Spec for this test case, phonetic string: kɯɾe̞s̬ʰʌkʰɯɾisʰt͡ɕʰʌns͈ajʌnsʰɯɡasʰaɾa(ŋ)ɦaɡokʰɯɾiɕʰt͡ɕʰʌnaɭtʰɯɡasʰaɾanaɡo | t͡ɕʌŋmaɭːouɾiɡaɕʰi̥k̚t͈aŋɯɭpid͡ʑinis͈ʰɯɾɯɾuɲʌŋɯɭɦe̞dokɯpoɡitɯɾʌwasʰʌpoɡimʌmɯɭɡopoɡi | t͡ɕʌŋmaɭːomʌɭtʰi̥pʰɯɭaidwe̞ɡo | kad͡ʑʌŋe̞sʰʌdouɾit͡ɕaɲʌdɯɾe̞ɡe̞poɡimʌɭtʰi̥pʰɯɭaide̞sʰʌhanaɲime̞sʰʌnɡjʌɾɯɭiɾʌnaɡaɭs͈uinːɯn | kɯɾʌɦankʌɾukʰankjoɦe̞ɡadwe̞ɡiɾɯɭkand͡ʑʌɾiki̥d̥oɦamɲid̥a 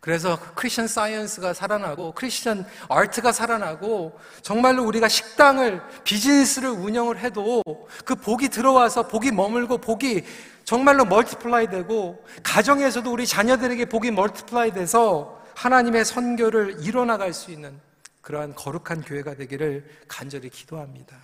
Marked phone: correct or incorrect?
incorrect